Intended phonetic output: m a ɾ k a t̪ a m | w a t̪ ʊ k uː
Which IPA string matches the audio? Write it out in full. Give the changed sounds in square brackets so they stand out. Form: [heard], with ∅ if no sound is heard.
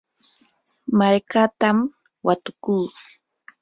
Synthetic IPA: m a ɾ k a t̪ a m | w a t̪ ʊ k uː